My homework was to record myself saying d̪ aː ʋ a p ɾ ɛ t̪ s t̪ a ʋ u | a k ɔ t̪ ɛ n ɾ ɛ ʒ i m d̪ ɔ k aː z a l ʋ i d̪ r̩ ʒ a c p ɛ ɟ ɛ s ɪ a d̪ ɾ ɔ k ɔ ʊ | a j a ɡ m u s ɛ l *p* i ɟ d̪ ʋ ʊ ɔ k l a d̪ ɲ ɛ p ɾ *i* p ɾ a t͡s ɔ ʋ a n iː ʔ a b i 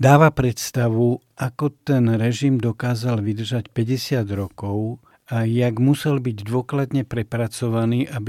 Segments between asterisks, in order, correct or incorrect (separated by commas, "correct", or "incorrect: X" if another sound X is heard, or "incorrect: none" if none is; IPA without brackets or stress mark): incorrect: b, incorrect: ɛ